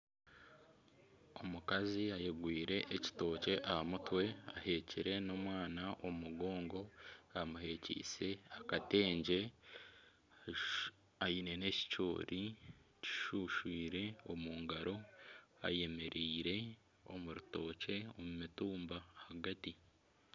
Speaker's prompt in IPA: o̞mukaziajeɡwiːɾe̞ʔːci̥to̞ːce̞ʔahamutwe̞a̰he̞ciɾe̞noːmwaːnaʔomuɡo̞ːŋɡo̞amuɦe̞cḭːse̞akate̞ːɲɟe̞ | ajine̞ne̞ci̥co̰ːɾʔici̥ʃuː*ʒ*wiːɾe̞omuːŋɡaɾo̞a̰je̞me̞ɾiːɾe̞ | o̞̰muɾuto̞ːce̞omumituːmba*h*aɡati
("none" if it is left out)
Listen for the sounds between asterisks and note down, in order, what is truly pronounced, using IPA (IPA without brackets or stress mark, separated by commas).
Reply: ʃ, h